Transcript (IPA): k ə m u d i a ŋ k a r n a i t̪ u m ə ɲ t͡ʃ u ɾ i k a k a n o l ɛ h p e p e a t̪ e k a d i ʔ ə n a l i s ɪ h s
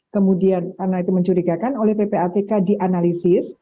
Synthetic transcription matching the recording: k ə m u d i a n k a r n a i t̪ u m ə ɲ t͡ʃ u ɾ i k a k a n o l ɛ h p e p e a t̪ e k a d i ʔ a n a l i s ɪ s